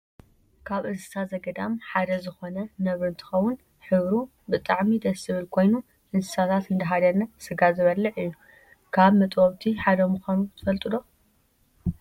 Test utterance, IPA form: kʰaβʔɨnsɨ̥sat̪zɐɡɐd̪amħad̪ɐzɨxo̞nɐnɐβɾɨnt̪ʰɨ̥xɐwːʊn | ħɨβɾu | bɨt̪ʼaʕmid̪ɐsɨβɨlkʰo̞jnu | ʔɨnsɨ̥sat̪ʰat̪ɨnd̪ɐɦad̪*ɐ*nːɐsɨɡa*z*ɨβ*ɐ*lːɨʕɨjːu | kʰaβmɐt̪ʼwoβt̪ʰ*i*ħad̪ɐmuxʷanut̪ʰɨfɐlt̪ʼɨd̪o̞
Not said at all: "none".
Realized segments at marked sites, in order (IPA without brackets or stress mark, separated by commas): ɐ, z, ɐ, i